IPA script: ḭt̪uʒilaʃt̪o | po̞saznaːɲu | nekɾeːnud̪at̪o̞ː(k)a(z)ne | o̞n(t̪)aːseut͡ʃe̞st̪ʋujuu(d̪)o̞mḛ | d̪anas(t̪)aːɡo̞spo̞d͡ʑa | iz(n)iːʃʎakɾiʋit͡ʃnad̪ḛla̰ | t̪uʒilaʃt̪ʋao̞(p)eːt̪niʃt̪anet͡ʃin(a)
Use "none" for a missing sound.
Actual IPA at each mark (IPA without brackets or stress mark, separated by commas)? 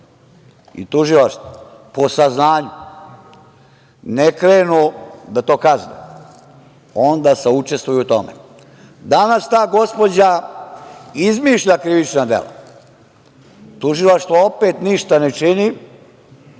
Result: k, z, d̪, t̪, t̪, m, p, i